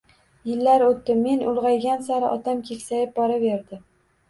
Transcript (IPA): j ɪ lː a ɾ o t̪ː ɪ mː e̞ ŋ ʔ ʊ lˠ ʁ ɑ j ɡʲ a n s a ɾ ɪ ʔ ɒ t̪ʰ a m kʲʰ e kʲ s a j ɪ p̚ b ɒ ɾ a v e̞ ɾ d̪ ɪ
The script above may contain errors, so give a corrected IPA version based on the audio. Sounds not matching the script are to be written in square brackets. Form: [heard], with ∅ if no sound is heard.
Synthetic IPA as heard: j ɪ lː a ɾ o t̪ː ɪ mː e̞ [n] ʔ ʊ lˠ ʁ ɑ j ɡʲ a n s a ɾ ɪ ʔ ɒ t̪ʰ a m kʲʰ e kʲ s a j ɪ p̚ b ɒ ɾ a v e̞ ɾ d̪ ɪ